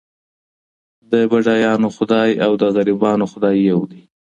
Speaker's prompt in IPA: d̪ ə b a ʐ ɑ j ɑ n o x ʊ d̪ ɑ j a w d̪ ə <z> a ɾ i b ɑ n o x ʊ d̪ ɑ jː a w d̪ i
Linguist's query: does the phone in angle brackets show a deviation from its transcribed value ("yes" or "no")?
yes